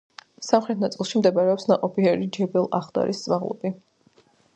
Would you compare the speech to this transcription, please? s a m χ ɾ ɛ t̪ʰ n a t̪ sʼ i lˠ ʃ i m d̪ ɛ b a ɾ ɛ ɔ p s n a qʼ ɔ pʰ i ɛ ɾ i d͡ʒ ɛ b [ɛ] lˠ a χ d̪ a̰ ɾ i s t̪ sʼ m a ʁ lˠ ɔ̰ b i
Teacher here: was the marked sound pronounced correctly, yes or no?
yes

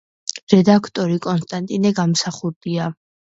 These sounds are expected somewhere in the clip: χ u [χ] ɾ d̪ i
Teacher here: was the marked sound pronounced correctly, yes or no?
no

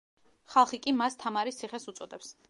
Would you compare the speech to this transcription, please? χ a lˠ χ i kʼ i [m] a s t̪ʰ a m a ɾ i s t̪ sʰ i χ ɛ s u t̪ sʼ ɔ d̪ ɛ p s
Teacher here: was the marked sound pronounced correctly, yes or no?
yes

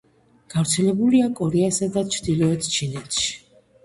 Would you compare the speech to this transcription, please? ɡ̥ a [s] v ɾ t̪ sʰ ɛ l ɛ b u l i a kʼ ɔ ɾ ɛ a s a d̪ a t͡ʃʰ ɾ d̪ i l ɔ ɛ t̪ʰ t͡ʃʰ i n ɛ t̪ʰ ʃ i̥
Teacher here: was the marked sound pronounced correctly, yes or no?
no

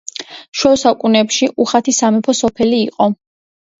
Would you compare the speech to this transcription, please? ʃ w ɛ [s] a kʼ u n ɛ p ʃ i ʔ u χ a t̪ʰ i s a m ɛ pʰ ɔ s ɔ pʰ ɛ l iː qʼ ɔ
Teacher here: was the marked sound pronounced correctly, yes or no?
yes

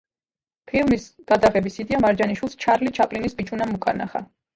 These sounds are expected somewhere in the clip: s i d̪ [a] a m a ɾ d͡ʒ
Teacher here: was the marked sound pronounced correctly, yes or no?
no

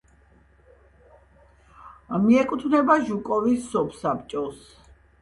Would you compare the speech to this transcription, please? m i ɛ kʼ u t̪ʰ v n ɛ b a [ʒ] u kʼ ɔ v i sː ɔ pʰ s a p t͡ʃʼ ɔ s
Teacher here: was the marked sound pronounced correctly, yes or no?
yes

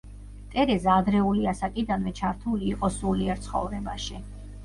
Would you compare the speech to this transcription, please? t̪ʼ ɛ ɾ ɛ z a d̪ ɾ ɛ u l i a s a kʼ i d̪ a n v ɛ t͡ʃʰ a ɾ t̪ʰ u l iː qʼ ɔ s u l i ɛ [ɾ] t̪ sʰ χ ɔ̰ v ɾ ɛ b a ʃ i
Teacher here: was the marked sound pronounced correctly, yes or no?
yes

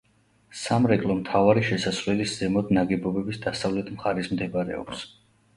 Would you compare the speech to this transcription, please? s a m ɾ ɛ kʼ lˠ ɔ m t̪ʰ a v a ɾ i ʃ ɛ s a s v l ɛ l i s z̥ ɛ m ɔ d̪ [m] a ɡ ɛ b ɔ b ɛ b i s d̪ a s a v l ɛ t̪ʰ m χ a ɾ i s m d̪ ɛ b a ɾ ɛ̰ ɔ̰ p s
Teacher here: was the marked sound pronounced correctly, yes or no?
no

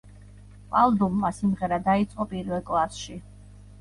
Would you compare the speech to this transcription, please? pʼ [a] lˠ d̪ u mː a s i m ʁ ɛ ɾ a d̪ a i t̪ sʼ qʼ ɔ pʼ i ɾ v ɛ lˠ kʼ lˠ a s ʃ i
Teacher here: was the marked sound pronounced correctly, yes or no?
yes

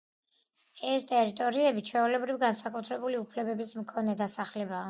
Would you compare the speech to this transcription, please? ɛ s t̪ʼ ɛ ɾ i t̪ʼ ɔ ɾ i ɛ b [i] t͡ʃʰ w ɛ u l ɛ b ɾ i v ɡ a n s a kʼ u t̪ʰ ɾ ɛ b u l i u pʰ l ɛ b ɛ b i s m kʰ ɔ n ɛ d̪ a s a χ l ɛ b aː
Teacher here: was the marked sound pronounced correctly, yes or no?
yes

